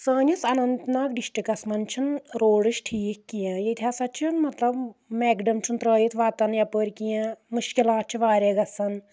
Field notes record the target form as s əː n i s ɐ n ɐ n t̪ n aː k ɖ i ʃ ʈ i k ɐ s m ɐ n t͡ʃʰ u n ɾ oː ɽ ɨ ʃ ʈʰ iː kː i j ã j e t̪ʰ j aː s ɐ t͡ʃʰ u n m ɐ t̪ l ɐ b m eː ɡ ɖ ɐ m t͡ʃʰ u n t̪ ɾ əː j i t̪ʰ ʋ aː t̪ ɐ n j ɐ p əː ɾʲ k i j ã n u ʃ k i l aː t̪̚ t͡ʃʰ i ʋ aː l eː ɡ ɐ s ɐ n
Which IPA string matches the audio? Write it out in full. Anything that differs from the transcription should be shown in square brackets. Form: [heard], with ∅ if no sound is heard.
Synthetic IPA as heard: s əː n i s ɐ n ɐ n t̪ n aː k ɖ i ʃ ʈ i k ɐ s m ɐ n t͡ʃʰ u n ɾ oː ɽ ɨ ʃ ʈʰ iː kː i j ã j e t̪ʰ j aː s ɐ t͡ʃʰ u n m ɐ t̪ l ɐ b m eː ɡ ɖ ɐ m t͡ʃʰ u n t̪ ɾ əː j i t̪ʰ ʋ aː t̪ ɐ n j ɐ p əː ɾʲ k i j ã [m] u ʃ k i l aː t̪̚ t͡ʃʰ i ʋ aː [ɾ] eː ɡ ɐ s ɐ n